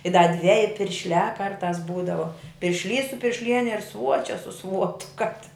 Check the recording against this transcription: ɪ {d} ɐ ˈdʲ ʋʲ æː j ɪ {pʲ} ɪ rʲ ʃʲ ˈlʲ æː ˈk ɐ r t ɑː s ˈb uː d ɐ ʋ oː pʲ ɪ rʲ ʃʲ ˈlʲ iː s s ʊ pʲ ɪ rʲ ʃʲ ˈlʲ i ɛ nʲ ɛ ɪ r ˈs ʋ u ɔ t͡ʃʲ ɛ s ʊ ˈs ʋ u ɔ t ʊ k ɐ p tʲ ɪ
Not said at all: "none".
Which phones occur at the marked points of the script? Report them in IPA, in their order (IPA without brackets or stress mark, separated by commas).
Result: d, pʲ